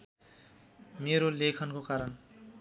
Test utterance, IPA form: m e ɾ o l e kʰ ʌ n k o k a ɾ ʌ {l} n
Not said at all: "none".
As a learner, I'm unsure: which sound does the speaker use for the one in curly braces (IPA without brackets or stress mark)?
none